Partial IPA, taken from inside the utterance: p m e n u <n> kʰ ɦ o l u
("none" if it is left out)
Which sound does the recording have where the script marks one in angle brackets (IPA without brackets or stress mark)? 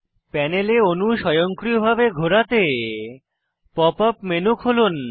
none